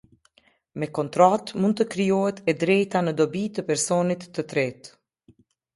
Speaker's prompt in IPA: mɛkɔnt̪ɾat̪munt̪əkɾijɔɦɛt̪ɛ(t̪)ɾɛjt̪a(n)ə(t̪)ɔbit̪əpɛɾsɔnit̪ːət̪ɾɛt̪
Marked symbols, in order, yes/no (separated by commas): no, yes, no